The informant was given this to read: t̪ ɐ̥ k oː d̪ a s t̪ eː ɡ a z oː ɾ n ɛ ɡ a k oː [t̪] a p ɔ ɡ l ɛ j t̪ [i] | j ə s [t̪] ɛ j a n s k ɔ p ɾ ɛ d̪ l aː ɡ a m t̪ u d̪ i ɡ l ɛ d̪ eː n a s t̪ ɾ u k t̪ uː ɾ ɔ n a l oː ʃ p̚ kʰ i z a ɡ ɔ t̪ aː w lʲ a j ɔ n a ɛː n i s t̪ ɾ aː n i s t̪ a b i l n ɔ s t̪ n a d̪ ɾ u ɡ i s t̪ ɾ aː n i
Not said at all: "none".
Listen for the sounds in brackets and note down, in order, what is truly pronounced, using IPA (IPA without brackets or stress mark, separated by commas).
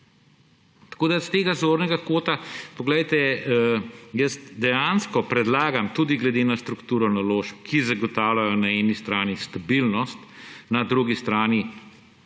t̪, ɛ, d̪